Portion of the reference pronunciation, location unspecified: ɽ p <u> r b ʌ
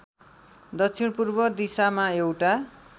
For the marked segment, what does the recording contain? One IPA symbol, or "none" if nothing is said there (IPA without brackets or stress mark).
u